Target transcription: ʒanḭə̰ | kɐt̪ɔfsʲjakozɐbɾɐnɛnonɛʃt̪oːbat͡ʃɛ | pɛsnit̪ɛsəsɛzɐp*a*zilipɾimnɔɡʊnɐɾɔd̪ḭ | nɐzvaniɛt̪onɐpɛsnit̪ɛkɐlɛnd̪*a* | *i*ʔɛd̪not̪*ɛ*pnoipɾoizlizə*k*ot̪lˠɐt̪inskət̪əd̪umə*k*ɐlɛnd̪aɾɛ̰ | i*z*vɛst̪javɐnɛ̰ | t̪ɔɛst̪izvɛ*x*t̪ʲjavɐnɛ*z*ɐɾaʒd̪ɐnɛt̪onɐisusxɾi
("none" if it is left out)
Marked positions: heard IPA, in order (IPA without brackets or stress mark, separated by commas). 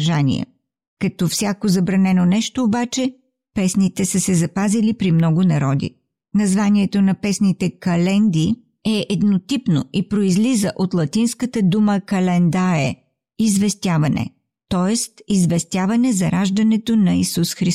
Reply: a, i, ɛ, i, ʔ, k, z, s, z